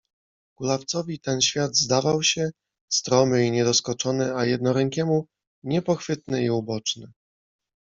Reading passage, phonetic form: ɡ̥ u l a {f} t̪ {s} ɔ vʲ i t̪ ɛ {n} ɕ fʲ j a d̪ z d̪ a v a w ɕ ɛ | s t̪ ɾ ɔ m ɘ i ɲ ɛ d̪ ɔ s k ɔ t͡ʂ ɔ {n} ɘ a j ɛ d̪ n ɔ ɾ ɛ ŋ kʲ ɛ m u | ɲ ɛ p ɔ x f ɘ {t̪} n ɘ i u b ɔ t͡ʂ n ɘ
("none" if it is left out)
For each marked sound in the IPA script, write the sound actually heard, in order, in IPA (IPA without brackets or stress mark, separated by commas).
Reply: f, s, n, n, t̪